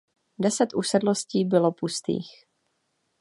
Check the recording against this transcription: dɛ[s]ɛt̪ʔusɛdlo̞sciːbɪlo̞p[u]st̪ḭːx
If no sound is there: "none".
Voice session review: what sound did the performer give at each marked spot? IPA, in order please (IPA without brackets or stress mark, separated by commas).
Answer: s, u